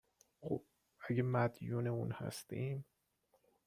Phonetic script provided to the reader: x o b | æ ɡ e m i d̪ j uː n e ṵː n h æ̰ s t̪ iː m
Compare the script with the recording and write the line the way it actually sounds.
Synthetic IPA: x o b | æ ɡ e m æ d̪ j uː n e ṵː n h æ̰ s t̪ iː m